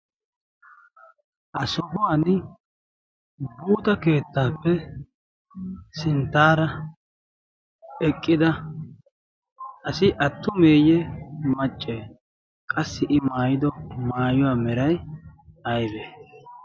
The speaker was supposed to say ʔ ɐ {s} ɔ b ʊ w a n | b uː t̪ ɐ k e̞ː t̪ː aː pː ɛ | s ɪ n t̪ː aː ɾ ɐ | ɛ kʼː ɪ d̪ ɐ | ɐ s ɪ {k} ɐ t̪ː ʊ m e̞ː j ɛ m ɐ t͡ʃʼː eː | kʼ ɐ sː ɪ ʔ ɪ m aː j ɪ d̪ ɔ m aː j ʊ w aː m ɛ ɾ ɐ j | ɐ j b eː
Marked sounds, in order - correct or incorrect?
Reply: correct, incorrect: ʔ

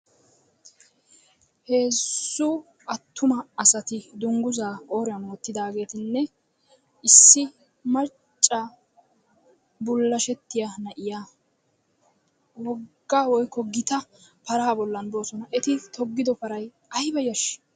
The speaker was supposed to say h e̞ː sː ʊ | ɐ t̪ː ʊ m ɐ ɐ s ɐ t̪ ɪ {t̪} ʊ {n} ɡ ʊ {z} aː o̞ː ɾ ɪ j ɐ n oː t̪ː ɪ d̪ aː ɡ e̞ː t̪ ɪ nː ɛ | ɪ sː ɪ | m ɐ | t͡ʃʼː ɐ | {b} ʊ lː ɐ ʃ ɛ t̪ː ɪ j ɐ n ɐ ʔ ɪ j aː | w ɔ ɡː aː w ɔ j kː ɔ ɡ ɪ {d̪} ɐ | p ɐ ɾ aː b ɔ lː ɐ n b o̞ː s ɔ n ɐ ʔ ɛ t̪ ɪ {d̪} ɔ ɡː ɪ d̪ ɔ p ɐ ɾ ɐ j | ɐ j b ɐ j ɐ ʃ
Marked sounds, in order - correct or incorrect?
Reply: incorrect: d̪, incorrect: ŋ, correct, correct, incorrect: t̪, incorrect: t̪

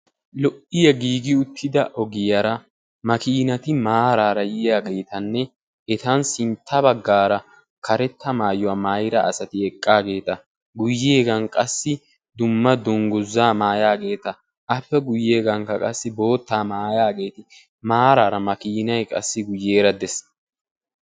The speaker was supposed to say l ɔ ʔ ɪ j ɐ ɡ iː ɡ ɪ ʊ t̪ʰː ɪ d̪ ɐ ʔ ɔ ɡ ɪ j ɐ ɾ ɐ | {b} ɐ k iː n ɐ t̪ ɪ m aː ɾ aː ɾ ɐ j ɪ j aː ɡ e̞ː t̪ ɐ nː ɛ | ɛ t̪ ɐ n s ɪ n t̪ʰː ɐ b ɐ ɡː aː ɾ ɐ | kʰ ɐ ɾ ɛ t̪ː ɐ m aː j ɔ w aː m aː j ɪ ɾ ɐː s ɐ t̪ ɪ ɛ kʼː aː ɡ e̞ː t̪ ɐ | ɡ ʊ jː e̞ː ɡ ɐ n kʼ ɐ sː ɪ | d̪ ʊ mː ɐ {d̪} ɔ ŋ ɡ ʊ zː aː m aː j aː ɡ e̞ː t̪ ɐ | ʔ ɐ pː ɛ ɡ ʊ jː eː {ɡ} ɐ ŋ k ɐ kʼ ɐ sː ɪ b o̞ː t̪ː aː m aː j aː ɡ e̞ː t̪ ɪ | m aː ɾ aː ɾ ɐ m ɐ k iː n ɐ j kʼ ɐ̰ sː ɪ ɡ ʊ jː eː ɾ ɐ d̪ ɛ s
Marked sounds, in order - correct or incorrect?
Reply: incorrect: m, correct, correct

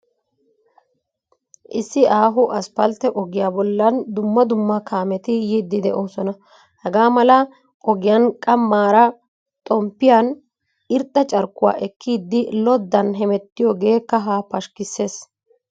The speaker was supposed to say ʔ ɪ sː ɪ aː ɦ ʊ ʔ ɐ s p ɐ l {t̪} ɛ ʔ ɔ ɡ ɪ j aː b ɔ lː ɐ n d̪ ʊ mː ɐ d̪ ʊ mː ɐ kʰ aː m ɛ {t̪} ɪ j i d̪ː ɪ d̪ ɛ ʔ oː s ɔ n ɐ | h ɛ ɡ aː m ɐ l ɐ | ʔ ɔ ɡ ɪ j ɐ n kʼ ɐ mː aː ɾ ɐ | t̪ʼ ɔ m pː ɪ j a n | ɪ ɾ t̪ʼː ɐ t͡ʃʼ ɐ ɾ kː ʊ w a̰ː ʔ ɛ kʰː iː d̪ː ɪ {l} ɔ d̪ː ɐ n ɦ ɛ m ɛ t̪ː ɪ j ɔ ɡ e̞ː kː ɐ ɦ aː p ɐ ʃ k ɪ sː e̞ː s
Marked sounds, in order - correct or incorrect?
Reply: correct, correct, correct

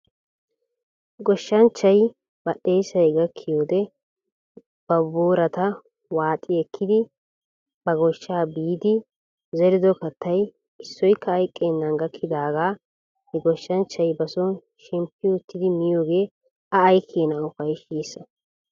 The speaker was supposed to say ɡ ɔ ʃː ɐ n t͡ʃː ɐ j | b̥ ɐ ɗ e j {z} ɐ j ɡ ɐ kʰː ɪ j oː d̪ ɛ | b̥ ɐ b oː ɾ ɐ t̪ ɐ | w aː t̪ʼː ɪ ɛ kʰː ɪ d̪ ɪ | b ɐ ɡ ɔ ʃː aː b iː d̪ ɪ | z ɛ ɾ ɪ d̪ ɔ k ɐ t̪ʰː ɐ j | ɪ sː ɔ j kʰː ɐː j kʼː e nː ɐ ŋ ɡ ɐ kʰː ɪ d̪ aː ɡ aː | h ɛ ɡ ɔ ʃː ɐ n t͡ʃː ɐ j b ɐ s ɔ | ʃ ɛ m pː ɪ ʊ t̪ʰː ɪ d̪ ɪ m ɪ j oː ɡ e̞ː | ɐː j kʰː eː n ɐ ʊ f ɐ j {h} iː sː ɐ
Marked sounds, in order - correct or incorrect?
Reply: incorrect: s, incorrect: ʃ

